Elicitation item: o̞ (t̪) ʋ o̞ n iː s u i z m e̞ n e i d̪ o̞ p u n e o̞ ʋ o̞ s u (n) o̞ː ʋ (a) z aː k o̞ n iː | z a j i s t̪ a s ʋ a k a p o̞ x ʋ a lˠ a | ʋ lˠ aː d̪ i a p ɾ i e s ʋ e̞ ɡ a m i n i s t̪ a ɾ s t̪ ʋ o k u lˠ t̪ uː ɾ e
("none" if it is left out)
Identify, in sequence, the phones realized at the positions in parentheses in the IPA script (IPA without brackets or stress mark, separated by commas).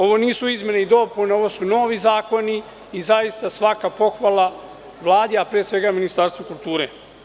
none, n, i